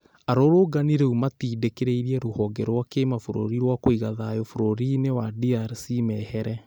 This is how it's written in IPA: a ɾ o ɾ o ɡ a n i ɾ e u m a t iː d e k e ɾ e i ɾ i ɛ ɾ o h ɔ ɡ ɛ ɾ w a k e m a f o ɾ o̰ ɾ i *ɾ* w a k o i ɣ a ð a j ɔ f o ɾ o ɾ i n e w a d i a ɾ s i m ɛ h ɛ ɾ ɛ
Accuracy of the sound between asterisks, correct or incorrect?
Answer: correct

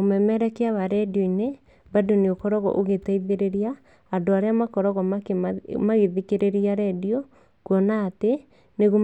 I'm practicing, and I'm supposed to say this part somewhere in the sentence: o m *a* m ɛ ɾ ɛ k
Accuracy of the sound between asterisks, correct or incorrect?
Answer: incorrect: ɛ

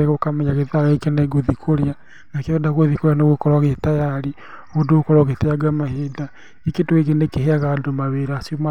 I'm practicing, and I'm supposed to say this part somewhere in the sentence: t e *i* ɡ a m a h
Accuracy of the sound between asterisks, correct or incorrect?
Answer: incorrect: a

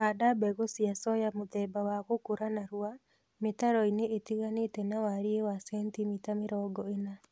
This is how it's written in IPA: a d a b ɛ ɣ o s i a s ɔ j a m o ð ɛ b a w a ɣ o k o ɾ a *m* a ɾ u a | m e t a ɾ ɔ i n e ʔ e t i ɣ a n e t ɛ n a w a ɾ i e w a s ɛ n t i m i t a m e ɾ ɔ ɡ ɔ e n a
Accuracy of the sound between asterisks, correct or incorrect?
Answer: incorrect: n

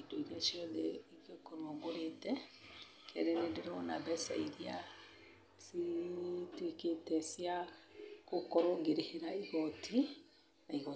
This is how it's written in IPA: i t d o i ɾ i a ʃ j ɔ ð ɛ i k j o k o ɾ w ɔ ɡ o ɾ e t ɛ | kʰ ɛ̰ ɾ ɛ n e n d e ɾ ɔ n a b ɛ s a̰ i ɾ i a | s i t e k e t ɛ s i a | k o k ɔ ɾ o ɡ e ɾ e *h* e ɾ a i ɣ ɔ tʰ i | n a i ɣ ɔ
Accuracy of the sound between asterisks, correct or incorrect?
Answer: correct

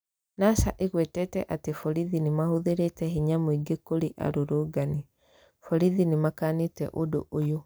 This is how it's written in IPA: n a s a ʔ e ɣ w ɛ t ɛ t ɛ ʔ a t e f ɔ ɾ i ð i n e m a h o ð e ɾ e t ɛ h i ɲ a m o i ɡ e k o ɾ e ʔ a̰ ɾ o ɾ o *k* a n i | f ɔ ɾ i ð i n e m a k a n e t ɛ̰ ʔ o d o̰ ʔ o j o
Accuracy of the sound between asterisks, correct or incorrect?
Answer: incorrect: ɡ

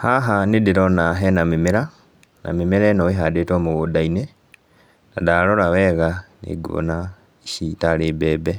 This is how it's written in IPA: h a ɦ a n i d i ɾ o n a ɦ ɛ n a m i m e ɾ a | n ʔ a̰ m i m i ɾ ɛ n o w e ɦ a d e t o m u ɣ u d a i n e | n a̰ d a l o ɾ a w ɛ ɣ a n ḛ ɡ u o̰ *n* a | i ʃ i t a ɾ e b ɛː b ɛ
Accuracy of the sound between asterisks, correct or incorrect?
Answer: correct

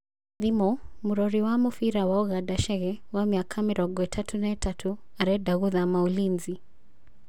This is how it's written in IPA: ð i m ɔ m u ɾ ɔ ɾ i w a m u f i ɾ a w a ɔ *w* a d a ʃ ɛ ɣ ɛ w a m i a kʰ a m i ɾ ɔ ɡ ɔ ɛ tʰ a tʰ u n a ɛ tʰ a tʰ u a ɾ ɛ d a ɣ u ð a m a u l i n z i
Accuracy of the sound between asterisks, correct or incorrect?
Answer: incorrect: ɣ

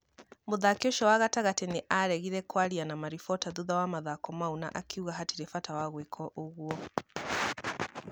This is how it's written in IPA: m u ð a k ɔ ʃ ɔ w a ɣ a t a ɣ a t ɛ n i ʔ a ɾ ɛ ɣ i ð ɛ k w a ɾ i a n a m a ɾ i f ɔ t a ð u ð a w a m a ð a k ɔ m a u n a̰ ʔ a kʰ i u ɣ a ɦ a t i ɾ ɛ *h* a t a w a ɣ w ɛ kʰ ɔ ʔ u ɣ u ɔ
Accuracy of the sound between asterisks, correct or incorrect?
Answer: incorrect: f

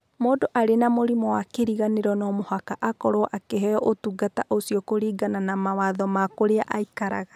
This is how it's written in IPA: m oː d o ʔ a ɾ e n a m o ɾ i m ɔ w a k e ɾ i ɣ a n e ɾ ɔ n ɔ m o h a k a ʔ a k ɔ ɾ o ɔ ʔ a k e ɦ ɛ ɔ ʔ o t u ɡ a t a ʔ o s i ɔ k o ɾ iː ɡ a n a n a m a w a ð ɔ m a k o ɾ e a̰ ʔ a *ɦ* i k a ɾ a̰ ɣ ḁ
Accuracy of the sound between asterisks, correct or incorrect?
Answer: incorrect: none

